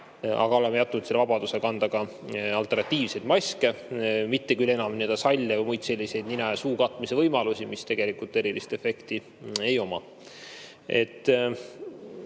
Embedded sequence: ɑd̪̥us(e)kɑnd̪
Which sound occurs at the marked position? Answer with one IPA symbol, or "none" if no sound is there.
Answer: e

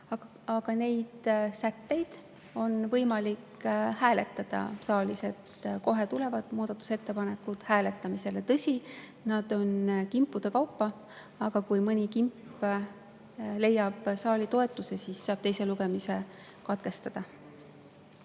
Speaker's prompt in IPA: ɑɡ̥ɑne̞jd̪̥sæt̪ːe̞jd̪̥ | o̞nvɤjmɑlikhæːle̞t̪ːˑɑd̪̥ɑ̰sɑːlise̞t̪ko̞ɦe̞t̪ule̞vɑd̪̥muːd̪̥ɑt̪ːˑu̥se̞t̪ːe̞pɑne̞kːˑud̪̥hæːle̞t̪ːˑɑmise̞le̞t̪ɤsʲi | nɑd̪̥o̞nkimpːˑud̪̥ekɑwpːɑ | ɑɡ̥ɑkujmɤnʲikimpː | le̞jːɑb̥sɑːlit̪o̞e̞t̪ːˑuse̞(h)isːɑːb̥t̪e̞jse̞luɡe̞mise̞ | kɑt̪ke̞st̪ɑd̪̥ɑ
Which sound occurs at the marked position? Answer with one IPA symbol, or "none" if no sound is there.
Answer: s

